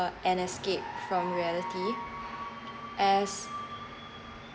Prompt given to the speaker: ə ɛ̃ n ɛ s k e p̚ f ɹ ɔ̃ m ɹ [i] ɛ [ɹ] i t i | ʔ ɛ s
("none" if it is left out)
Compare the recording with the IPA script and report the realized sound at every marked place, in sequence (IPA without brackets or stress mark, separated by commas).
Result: i, l